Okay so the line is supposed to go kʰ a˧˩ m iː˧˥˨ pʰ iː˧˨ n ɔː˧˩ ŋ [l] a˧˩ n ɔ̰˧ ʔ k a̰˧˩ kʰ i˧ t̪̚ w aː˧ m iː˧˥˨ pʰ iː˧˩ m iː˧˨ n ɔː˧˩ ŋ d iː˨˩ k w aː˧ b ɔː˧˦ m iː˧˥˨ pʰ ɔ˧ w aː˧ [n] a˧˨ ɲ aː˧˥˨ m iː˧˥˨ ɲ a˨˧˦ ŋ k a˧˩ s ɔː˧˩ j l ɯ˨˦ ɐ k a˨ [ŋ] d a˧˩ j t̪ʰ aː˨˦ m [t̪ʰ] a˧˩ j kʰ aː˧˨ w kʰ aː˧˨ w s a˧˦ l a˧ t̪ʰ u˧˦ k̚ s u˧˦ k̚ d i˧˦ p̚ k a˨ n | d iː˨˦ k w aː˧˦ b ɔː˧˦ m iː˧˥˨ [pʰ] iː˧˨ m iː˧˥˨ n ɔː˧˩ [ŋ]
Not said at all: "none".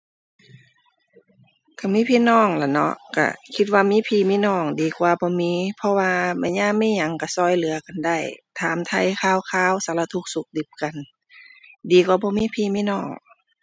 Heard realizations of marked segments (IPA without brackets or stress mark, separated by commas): l, m, n, t̪ʰ, pʰ, ŋ